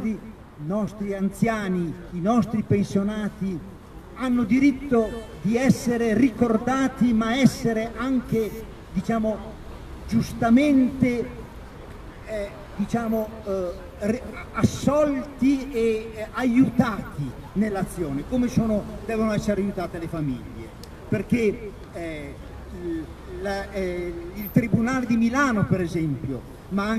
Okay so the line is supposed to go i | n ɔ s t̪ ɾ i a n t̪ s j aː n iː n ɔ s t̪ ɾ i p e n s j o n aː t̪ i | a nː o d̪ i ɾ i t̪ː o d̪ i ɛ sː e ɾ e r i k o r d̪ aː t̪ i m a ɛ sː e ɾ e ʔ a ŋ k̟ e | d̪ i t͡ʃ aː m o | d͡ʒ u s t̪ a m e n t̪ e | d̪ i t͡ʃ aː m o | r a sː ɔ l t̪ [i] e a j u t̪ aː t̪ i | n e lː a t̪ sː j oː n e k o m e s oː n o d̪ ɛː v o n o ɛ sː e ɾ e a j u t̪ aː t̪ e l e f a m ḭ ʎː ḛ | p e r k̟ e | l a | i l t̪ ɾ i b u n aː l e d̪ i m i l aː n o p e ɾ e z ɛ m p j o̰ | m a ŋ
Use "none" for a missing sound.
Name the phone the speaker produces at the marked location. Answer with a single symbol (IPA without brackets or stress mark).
i